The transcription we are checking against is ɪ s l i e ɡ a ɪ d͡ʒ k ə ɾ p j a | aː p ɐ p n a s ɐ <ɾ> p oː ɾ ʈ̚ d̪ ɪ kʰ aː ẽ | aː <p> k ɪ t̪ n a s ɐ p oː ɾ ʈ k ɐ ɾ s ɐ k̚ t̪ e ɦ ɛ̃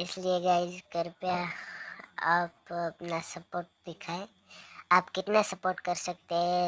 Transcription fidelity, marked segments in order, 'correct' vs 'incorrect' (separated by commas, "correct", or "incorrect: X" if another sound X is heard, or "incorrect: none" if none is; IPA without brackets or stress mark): incorrect: none, correct